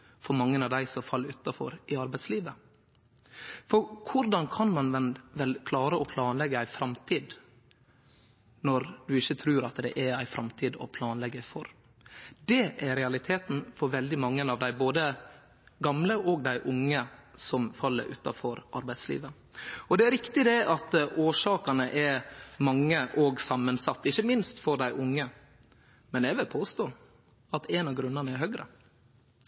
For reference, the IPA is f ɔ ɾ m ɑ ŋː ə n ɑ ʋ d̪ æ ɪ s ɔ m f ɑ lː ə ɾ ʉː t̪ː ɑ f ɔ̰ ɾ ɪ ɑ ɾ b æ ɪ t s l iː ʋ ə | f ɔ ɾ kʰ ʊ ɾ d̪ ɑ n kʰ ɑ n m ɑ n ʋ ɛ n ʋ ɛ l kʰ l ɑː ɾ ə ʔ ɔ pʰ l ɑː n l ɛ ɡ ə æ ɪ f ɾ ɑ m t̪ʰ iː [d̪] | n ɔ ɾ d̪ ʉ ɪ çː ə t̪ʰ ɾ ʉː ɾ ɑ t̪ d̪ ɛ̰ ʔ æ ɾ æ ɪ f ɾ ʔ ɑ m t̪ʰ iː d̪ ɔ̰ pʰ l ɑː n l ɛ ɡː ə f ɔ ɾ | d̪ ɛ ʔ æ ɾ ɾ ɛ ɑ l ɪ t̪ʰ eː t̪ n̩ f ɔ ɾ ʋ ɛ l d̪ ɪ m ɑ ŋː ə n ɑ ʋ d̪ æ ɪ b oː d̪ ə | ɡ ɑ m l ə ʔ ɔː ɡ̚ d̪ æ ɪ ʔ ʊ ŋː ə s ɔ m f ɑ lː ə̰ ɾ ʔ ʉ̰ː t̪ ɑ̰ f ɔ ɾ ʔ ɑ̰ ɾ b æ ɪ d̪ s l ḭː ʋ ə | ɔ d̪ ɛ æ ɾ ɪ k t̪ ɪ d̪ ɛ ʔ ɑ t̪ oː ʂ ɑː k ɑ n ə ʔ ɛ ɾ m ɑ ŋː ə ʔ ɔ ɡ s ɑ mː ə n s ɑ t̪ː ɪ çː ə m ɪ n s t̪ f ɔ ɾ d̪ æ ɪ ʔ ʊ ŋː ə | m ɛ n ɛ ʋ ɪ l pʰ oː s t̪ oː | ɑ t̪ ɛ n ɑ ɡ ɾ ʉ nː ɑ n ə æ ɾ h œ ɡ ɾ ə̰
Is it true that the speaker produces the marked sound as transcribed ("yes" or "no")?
yes